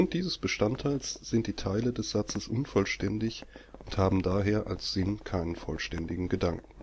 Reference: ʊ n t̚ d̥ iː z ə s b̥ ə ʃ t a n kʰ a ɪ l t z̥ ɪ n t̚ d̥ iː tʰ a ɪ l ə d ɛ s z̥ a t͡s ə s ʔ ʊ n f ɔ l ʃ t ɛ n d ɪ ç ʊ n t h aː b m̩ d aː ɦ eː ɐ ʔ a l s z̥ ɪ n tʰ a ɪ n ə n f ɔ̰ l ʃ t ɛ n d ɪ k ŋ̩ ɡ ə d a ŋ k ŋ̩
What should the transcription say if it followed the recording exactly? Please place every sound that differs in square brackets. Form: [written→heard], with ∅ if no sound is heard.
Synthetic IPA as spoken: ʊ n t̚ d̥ iː z ə s b̥ ə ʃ t a n [kʰ→tʰ] a ɪ l [t→s] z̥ ɪ n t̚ d̥ iː tʰ a ɪ l ə d ɛ s z̥ a t͡s ə s ʔ ʊ n f ɔ l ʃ t ɛ n d ɪ ç ʊ n t h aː b m̩ d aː ɦ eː ɐ ʔ a l s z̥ ɪ n [tʰ→kʰ] a ɪ n ə n f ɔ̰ l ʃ t ɛ n d ɪ [k→ɡ] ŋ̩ ɡ ə d a ŋ k ŋ̩

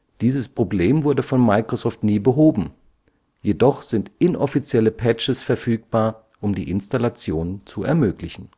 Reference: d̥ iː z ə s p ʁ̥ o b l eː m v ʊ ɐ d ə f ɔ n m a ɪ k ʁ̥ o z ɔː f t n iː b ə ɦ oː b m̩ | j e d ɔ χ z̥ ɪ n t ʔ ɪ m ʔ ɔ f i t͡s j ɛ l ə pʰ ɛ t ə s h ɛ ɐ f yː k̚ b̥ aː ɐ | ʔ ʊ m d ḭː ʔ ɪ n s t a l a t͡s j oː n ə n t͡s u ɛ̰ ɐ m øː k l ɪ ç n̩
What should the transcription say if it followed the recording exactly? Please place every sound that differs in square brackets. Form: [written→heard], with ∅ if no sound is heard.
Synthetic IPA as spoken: d̥ iː z ə s p ʁ̥ o b l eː m v ʊ ɐ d ə f ɔ n m a ɪ k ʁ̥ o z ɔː f t n iː b ə ɦ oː b m̩ | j e d ɔ χ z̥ ɪ n t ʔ ɪ [m→n] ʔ ɔ f i t͡s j ɛ l ə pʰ ɛ [t→t͡ʃ] ə s [h→f] ɛ ɐ f yː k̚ b̥ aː ɐ | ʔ ʊ m d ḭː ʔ ɪ n s t a l a t͡s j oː n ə n t͡s u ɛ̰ ɐ m øː k l ɪ ç n̩

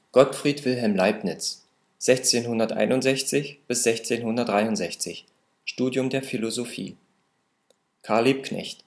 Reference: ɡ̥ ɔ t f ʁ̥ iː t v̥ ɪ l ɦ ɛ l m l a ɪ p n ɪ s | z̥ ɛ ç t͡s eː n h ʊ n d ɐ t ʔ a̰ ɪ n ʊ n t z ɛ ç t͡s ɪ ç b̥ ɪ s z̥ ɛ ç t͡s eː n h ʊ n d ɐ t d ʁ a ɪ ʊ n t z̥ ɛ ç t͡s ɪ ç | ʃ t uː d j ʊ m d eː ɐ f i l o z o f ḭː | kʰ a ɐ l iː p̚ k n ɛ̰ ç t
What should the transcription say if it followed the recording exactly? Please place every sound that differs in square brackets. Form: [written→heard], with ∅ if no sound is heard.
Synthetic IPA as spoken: ɡ̥ ɔ t f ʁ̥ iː t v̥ ɪ l ɦ ɛ l m l a ɪ p n ɪ [s→t͡s] | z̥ ɛ ç t͡s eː n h ʊ n d ɐ t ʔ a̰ ɪ n ʊ n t z ɛ ç t͡s ɪ ç b̥ ɪ s z̥ ɛ ç t͡s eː n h ʊ n d ɐ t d ʁ a ɪ ʊ n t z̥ ɛ ç t͡s ɪ ç | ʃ t uː d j ʊ m d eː ɐ f i l o z o f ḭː | kʰ a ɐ l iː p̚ k n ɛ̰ ç t

